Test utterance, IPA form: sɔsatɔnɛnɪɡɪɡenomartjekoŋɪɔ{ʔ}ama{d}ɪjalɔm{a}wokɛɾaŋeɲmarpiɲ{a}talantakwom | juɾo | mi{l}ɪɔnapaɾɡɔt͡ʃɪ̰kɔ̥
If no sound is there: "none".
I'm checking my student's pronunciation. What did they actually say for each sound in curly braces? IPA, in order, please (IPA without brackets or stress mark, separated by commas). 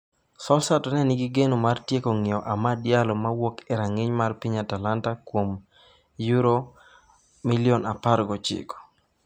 ʔ, d, a, a, l